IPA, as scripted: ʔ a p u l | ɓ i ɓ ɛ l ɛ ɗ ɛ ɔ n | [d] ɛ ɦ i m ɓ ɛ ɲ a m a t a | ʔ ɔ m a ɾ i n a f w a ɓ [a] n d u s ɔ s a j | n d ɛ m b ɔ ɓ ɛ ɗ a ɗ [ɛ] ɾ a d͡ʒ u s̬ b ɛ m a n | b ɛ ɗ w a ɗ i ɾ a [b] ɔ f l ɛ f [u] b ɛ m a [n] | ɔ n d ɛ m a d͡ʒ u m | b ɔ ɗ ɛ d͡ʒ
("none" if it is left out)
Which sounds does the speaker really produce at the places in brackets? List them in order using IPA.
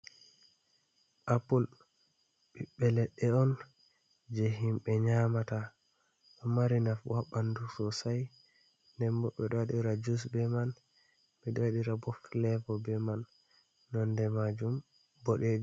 d͡ʒ, a, i, b, ɔ, nː

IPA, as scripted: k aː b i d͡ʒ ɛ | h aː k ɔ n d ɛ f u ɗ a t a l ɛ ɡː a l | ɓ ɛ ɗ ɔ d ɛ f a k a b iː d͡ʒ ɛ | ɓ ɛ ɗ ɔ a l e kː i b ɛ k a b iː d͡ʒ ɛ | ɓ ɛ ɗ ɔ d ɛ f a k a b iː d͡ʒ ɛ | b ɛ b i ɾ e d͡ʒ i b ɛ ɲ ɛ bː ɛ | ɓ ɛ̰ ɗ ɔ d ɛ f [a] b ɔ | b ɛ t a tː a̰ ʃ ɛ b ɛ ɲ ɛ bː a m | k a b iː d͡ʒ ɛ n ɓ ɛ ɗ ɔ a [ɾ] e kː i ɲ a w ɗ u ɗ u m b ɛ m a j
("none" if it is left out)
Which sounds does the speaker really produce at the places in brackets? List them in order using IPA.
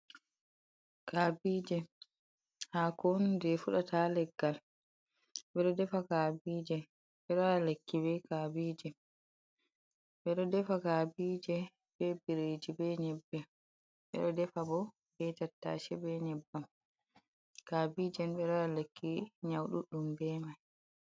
a, l

